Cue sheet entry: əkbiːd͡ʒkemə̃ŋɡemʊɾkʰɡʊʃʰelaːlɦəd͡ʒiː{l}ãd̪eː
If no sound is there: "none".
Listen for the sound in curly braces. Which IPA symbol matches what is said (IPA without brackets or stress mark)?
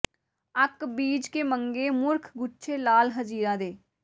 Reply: ɾ